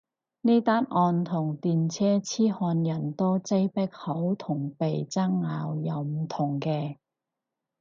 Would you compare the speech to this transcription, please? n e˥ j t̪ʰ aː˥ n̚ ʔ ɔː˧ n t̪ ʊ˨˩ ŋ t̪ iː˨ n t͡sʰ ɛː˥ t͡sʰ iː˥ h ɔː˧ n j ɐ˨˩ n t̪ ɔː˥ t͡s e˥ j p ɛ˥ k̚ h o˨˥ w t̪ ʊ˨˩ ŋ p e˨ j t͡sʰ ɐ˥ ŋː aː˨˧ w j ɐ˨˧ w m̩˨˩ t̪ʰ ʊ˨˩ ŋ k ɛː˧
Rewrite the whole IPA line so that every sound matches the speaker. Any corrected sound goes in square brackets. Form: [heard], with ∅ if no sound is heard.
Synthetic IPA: n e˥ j [t̪] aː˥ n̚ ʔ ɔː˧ n [t̪ʰ] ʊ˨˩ ŋ t̪ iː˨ n t͡sʰ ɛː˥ t͡sʰ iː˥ h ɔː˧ n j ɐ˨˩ n t̪ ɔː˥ t͡s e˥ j p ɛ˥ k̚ h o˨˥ w [t̪ʰ] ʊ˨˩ ŋ p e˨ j [t͡s] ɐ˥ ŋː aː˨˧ w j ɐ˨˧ w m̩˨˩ t̪ʰ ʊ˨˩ ŋ k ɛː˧

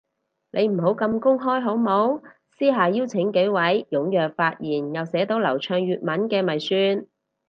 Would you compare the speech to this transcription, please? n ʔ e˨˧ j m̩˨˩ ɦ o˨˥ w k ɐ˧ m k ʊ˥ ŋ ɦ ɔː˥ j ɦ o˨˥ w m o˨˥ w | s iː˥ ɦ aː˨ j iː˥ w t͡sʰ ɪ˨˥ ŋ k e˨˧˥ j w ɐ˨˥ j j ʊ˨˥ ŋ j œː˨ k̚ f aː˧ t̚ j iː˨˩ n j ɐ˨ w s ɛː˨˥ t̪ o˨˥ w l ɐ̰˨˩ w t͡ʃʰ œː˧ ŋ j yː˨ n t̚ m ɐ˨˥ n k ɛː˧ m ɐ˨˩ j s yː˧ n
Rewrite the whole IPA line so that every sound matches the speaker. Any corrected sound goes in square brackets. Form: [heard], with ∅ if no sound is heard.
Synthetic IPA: n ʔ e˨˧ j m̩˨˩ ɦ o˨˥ w k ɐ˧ m k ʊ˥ ŋ ɦ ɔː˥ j ɦ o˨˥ w m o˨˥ w | s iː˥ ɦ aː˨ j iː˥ w t͡sʰ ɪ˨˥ ŋ k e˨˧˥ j w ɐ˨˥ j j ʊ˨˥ ŋ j œː˨ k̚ f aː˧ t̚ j iː˨˩ n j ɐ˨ w s ɛː˨˥ t̪ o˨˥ w l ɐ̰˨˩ w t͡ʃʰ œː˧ ŋ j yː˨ [∅] t̚ m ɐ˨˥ n k ɛː˧ m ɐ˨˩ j s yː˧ n

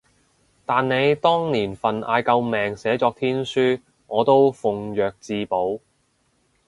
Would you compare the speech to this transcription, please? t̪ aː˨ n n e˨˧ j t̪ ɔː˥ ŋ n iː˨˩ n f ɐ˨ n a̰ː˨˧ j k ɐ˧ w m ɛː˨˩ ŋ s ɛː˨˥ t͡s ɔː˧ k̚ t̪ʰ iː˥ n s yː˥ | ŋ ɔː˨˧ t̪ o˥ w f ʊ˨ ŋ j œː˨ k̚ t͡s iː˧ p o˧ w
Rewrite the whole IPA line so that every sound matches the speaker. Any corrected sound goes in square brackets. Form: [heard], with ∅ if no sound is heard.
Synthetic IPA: t̪ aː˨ n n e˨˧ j t̪ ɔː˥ ŋ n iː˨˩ n f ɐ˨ n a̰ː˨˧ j k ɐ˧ w m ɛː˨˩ ŋ s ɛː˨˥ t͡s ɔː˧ k̚ t̪ʰ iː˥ n s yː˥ | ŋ ɔː˨˧ t̪ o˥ w f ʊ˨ ŋ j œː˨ k̚ t͡s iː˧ p [o˨˥] w

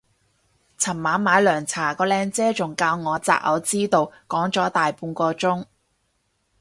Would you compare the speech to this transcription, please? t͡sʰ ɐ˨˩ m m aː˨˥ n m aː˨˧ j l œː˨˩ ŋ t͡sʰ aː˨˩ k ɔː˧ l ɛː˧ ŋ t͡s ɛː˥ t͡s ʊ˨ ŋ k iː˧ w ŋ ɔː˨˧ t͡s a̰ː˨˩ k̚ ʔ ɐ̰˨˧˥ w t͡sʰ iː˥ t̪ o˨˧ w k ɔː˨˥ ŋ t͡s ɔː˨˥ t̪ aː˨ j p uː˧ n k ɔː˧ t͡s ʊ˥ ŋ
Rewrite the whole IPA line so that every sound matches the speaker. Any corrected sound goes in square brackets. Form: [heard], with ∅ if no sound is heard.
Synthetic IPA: t͡sʰ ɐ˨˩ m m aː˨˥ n m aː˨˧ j l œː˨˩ ŋ t͡sʰ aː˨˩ k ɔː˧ l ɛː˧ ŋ t͡s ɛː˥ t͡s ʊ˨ ŋ k [aː˧] w ŋ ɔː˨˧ t͡s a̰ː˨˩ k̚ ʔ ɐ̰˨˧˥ w [t͡s] iː˥ t̪ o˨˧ w k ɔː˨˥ ŋ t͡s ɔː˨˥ t̪ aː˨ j p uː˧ n k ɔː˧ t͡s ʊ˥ ŋ

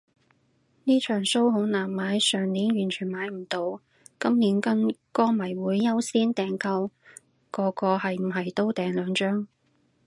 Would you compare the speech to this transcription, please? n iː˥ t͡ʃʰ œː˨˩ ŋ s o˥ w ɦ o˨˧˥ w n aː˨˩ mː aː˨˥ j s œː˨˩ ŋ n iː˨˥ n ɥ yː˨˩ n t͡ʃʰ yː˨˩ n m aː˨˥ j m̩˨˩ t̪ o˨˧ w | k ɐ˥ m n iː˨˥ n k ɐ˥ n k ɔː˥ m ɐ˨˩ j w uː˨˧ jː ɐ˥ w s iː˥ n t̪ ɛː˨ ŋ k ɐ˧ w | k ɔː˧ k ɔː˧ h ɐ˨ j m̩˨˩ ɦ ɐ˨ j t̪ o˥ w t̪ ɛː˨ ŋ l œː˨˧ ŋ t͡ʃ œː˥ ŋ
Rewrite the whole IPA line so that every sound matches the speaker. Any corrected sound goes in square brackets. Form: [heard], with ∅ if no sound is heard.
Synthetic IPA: n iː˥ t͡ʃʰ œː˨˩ ŋ s o˥ w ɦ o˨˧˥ w n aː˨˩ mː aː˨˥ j s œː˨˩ ŋ n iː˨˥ n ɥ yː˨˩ n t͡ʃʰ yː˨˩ n m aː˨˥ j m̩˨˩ t̪ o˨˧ w | k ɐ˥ m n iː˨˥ n k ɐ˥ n k ɔː˥ m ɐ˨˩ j w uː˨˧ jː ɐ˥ w s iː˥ n t̪ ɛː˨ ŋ k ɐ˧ w | k ɔː˧ k ɔː˧ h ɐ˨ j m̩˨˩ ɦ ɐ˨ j t̪ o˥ w t̪ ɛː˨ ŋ l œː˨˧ ŋ t͡ʃ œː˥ ŋ

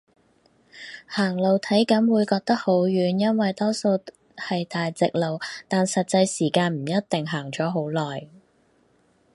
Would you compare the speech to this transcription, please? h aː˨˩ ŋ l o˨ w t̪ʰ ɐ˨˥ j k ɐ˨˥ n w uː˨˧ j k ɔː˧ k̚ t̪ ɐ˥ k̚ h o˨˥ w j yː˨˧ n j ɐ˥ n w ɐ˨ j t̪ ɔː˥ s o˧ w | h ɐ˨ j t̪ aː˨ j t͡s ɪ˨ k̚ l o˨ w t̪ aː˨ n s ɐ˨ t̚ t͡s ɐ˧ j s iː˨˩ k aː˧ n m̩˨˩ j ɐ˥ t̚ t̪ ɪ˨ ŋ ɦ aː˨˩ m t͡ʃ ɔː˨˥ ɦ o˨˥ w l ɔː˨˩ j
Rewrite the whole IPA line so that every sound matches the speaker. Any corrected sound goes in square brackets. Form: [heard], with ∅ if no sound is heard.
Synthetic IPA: h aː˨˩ ŋ l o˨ w t̪ʰ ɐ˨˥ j k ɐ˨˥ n w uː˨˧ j k ɔː˧ k̚ t̪ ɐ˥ k̚ h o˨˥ w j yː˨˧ n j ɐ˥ n w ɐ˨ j t̪ ɔː˥ s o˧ w | h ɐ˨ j t̪ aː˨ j t͡s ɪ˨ k̚ l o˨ w t̪ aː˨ n s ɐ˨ t̚ t͡s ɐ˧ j s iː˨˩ k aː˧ n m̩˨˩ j ɐ˥ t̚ t̪ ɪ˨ ŋ ɦ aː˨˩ [ŋ] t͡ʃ ɔː˨˥ ɦ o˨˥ w l ɔː˨˩ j

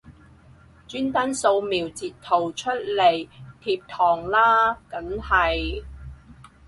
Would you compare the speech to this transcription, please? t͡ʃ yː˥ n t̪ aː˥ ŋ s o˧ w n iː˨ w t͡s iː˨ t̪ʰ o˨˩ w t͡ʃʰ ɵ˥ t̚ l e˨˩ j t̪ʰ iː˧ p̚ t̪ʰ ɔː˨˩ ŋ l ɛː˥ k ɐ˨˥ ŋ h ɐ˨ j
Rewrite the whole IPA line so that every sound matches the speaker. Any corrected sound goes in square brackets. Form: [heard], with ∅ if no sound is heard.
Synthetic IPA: t͡ʃ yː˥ n t̪ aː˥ [n] s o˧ w [m] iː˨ w t͡s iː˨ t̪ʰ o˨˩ w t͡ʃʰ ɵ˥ t̚ l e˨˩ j t̪ʰ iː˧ p̚ t̪ʰ ɔː˨˩ ŋ l [aː˥] k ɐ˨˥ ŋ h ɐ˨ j

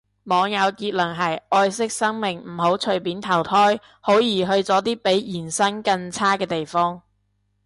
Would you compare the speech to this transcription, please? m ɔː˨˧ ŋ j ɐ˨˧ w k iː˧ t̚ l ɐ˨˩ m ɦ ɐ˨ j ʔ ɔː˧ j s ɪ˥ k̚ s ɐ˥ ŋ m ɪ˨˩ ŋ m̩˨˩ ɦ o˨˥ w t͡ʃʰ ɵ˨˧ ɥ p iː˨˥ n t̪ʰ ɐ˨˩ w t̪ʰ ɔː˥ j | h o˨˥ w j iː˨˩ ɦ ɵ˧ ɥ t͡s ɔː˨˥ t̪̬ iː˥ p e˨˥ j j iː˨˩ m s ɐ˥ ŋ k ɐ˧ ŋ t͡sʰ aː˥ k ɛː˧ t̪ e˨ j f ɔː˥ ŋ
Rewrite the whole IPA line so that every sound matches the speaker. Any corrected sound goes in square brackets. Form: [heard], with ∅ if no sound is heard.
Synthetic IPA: m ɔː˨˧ ŋ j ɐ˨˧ w k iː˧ t̚ l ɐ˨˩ [ŋ] ɦ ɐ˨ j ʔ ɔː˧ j s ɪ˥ k̚ s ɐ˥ ŋ m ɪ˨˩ ŋ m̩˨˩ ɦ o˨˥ w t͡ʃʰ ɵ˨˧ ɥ p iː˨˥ n t̪ʰ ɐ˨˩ w t̪ʰ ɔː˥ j | h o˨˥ w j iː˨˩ ɦ ɵ˧ ɥ t͡s ɔː˨˥ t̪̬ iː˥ p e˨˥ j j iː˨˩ [n] s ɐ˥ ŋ k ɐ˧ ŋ t͡sʰ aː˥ k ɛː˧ t̪ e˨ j f ɔː˥ ŋ

